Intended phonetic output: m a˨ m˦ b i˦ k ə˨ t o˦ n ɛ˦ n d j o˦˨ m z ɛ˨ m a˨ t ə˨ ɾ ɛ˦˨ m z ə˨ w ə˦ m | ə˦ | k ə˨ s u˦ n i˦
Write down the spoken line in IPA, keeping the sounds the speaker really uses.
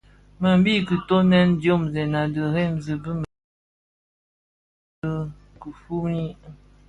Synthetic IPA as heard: m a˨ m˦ b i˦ k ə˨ t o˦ n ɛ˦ n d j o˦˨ m z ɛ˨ n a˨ d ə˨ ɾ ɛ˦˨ m z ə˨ b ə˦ m | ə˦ | k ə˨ f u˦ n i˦